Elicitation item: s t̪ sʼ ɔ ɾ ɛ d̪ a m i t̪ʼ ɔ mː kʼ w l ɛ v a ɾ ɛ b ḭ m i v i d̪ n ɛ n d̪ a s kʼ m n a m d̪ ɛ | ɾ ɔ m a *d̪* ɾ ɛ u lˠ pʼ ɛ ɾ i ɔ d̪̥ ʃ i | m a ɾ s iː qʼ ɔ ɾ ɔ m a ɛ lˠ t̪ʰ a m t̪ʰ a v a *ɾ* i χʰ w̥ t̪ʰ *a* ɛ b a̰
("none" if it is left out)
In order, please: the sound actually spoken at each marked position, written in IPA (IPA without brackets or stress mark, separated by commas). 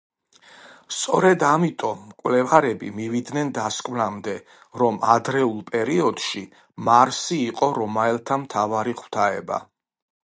d̪, ɾ, a